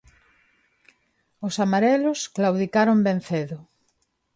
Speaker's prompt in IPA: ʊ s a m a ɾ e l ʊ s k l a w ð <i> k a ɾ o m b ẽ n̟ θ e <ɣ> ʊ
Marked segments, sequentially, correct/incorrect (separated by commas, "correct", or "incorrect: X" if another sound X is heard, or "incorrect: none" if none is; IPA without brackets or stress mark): correct, incorrect: ð